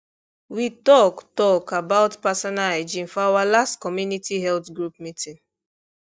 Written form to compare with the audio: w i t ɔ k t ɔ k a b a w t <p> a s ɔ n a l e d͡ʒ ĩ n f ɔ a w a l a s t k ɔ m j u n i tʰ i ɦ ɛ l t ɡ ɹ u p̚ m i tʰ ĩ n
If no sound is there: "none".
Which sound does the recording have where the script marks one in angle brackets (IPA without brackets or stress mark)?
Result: p